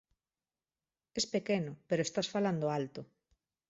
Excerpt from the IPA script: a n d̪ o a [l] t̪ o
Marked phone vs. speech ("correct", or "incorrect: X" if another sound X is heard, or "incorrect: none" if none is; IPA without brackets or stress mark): correct